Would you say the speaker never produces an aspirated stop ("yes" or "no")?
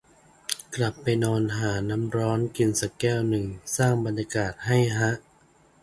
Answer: yes